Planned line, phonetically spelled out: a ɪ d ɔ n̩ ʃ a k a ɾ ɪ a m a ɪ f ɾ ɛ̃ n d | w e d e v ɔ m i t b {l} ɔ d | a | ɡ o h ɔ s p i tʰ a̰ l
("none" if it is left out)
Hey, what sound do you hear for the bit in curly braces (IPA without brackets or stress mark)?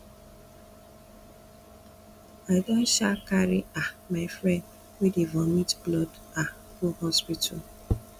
l